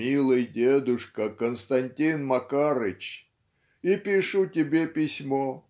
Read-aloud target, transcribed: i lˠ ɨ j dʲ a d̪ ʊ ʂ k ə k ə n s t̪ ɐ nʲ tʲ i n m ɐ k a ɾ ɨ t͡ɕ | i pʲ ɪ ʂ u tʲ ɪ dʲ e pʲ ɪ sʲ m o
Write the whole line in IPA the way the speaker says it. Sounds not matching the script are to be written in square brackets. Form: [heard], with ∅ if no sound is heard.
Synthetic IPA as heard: i lˠ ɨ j dʲ [e] d̪ ʊ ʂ k ə k ə n s t̪ ɐ nʲ tʲ i n m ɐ k a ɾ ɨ t͡ɕ | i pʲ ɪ ʂ u tʲ ɪ [bʲ] e pʲ ɪ sʲ m o